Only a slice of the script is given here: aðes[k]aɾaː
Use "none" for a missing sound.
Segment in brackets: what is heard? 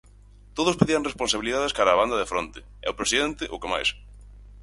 k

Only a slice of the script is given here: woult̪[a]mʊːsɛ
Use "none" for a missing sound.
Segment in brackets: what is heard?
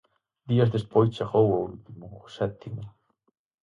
i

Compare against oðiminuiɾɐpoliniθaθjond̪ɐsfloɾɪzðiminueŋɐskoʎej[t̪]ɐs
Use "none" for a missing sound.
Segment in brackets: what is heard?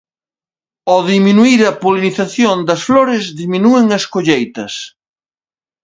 t̪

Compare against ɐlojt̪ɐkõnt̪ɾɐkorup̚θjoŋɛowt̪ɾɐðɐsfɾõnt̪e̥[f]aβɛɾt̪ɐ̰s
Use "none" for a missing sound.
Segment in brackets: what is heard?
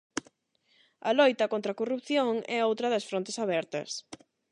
s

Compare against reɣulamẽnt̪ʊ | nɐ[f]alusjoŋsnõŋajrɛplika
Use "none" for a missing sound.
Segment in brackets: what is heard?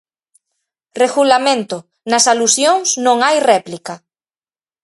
s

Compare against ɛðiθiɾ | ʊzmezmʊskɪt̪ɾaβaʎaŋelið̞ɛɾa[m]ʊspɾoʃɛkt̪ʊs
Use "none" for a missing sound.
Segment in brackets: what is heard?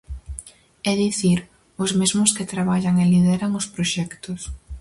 ŋ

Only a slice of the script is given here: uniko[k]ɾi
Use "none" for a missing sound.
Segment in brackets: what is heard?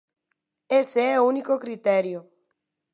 k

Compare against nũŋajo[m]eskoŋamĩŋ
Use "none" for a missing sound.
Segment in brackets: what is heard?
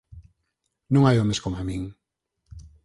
m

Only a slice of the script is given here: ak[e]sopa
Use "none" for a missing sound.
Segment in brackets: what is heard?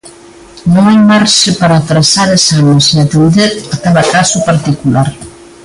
a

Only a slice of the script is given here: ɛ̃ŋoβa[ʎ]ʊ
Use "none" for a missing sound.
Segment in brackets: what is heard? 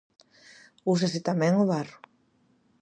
r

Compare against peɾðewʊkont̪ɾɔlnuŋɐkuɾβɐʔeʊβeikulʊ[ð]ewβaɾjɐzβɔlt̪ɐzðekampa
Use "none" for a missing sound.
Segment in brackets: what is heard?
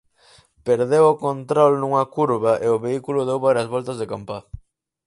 ð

